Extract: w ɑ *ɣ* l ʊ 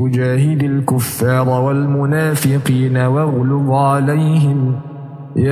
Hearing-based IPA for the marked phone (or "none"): ɣ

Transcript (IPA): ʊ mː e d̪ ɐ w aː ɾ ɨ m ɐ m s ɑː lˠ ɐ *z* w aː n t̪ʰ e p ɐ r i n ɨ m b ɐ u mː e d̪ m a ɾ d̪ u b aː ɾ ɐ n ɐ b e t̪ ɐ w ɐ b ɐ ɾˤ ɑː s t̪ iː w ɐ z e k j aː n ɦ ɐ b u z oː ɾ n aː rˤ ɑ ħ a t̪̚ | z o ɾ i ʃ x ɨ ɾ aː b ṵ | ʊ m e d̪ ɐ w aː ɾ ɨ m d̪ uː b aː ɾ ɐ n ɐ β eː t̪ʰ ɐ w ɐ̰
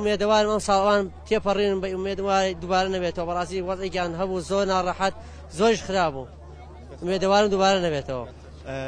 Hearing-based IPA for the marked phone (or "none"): none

